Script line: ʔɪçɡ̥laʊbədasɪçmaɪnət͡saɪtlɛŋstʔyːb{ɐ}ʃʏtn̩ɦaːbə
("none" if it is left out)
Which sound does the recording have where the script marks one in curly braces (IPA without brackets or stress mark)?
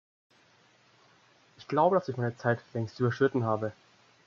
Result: ɐ